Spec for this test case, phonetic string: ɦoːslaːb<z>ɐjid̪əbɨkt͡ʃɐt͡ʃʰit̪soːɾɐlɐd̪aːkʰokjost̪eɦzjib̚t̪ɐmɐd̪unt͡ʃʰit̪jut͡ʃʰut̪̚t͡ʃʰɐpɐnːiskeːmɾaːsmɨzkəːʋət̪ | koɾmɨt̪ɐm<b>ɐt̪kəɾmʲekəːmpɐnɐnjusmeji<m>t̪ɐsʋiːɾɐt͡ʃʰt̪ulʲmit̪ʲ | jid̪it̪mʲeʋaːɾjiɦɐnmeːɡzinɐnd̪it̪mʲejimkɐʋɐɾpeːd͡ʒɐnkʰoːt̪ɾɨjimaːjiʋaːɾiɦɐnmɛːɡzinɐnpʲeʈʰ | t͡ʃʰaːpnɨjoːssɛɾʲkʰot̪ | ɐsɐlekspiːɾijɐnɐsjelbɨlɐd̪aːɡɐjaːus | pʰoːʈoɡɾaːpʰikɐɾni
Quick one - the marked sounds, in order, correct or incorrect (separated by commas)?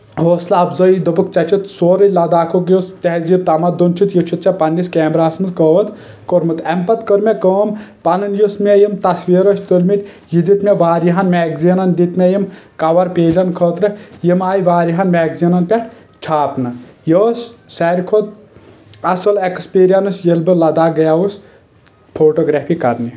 correct, incorrect, correct